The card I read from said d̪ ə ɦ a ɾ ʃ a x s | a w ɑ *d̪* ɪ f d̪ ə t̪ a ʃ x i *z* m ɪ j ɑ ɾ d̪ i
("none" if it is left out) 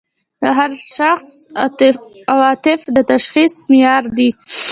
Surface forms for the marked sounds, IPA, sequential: t̪, s

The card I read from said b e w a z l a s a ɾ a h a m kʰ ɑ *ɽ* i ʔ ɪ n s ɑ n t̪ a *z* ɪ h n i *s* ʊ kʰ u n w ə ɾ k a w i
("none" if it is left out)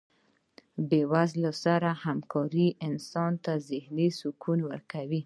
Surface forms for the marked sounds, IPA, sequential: ɾ, z, s

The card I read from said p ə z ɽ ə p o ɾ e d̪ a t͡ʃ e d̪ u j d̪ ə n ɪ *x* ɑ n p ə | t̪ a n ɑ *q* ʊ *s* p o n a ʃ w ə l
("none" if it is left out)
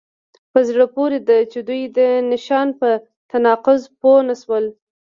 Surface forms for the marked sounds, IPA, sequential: ʃ, q, z

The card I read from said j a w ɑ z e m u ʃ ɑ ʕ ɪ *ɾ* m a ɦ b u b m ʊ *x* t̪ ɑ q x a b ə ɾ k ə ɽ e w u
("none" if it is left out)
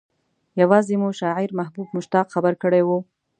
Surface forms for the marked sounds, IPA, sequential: ɾ, ʃ

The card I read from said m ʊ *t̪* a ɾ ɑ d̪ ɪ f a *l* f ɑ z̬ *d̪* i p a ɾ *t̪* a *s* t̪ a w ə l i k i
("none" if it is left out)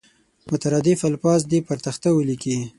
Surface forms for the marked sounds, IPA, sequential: t̪, l, d̪, t̪, x

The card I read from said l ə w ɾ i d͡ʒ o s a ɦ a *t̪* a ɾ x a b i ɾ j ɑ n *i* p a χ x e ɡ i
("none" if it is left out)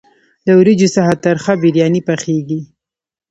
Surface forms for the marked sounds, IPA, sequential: t̪, i

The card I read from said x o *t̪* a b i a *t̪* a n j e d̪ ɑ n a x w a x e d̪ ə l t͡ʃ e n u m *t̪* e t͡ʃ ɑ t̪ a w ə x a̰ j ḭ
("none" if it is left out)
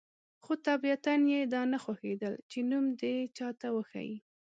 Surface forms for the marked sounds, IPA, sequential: t̪, t̪, d̪

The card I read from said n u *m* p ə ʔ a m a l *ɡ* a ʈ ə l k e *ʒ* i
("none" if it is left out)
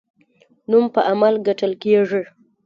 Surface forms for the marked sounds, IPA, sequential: m, ɡ, ʐ

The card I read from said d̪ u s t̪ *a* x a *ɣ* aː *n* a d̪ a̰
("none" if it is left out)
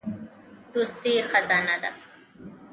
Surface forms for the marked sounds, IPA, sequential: i, z, n

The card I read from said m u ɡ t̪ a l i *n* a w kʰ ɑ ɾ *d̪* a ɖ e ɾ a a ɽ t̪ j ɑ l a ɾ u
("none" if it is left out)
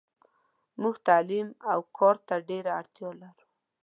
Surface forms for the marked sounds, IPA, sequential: m, t̪

